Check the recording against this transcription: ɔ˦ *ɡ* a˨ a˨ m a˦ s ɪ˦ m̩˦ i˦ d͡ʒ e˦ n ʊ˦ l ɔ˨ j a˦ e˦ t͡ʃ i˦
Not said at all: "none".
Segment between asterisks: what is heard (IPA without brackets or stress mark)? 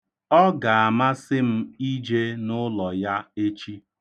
ɡ